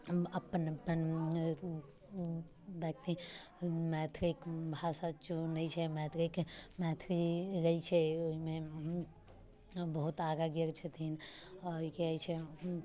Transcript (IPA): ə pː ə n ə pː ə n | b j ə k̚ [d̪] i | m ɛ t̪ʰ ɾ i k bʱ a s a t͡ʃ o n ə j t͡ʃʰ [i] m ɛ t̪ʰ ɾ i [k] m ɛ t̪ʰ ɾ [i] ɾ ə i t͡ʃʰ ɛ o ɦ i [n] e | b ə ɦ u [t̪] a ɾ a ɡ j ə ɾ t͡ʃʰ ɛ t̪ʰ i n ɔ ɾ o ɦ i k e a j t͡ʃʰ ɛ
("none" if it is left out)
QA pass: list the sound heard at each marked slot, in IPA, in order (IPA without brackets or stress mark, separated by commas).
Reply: t̪, ɛ, k, i, m, t̪